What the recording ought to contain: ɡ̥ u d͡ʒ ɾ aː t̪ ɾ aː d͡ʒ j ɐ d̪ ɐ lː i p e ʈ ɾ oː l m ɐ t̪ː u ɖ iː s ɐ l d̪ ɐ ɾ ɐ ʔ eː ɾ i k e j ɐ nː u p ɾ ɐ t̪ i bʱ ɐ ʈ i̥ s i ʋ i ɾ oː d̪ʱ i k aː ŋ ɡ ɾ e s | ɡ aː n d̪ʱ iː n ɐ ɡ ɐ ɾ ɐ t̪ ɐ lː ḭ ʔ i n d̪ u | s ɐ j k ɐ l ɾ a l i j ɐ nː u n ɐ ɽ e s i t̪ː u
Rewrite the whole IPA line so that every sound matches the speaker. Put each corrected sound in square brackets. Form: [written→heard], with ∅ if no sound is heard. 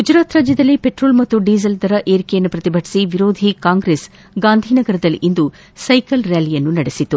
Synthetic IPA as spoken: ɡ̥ u d͡ʒ ɾ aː t̪ ɾ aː d͡ʒ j ɐ d̪ ɐ lː i p e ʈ ɾ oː l m ɐ t̪ː u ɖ iː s ɐ l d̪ ɐ ɾ ɐ ʔ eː ɾ i k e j ɐ nː u p ɾ ɐ t̪ i bʱ ɐ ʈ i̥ s i ʋ i ɾ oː d̪ʱ i k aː ŋ ɡ ɾ e s | ɡ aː n d̪ʱ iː n ɐ ɡ ɐ ɾ ɐ [t̪→d̪] ɐ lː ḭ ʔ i n d̪ u | s ɐ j k ɐ l ɾ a l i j ɐ nː u n ɐ ɽ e s i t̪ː u